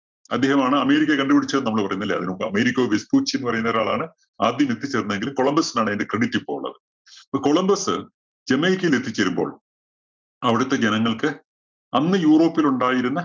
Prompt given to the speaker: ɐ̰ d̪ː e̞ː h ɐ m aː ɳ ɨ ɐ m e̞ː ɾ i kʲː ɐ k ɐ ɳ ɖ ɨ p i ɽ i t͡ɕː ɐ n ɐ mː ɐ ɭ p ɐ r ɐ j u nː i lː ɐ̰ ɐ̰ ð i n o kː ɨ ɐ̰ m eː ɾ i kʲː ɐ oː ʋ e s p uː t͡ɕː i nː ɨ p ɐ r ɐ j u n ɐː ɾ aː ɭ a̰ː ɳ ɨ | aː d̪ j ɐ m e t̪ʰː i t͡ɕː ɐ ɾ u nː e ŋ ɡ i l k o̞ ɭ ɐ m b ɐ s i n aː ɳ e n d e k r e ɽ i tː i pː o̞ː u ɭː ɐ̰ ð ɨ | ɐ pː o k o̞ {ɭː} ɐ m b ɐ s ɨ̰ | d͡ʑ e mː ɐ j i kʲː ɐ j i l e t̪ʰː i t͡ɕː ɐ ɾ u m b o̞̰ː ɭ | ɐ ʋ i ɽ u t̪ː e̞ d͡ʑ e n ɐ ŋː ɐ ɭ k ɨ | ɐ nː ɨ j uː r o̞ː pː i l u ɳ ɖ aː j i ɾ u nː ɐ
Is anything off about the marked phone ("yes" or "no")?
yes